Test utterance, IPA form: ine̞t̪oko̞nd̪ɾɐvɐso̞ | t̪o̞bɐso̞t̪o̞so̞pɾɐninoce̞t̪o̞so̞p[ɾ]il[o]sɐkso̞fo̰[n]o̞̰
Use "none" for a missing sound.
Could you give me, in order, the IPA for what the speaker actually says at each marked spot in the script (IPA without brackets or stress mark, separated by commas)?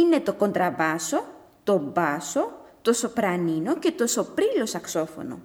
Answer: ɾ, o, n